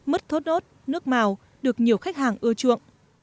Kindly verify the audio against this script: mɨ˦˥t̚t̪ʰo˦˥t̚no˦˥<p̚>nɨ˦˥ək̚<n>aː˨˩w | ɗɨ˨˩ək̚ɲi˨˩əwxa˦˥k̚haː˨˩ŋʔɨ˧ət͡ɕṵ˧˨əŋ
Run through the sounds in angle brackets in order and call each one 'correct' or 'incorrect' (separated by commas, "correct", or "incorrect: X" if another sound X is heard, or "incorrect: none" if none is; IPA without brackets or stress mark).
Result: incorrect: t̚, incorrect: m